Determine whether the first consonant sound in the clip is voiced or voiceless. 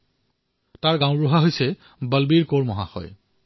voiceless